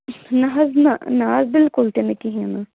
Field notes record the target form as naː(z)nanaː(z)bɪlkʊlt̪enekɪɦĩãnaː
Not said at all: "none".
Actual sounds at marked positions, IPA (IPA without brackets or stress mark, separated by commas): z, z